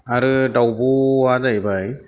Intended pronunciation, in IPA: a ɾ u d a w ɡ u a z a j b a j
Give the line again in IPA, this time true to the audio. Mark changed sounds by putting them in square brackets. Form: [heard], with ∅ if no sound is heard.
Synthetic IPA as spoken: a ɾ [ɯ] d a w [b] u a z a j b a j